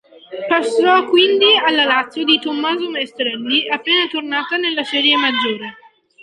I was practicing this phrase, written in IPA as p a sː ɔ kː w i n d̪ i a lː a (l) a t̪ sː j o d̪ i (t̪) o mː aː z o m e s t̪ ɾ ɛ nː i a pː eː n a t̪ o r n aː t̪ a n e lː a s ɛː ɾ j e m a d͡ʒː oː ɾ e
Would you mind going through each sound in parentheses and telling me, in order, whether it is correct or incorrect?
correct, correct

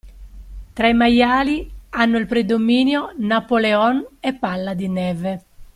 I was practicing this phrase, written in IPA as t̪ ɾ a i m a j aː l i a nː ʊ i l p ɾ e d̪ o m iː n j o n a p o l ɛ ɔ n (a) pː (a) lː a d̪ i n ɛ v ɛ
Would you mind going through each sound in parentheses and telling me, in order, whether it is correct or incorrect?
incorrect: ɛ, correct

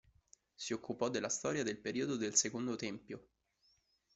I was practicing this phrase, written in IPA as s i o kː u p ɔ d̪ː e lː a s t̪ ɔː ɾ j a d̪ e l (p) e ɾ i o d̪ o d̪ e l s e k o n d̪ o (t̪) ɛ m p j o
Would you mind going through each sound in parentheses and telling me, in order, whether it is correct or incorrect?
correct, correct

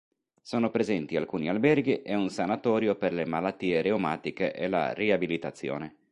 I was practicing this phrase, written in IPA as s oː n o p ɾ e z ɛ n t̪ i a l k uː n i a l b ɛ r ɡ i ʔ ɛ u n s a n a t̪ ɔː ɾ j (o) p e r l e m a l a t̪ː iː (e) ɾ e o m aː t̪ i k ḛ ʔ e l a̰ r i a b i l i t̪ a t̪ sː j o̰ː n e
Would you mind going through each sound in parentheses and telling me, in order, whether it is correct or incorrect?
correct, correct

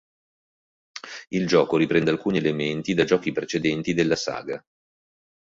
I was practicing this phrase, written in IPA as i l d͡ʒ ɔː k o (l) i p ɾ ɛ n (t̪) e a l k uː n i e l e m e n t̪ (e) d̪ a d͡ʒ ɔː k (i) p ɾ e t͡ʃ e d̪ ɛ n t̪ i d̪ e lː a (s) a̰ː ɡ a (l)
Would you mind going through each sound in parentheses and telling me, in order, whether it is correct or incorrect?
incorrect: ɾ, incorrect: d̪, incorrect: i, correct, correct, incorrect: none

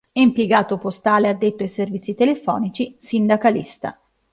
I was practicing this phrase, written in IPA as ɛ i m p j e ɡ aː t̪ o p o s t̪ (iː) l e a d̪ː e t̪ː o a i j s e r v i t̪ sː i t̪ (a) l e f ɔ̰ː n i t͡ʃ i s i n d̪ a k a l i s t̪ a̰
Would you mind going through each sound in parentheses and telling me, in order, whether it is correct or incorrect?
incorrect: aː, incorrect: e

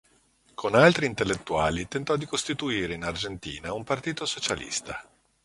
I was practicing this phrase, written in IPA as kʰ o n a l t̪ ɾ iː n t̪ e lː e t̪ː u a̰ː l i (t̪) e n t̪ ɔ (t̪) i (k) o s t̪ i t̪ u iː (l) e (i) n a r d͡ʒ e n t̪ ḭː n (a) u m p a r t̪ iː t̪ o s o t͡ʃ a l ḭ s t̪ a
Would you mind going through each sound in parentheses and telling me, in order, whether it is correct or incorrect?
correct, incorrect: d̪, correct, incorrect: ɾ, correct, correct

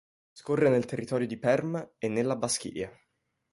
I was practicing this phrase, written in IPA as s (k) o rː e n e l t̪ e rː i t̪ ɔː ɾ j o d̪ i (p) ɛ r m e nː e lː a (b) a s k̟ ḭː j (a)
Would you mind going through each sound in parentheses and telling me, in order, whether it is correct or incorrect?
correct, correct, correct, correct

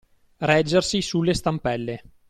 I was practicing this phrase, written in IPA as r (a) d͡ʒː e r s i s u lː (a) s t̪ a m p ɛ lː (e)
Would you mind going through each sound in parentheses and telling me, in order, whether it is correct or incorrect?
incorrect: ɛ, incorrect: e, correct

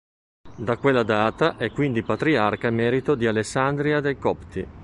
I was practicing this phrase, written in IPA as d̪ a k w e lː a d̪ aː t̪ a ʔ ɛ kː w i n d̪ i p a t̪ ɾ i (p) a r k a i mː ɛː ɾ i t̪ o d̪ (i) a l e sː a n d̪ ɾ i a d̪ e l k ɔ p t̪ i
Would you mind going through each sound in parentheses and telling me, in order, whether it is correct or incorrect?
incorrect: none, correct

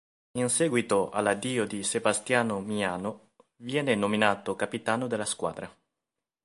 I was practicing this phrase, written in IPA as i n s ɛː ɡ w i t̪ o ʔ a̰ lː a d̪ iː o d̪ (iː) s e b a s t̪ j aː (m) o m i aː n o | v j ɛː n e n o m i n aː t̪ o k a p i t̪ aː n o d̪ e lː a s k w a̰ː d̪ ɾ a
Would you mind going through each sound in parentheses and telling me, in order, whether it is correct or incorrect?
incorrect: i, incorrect: n

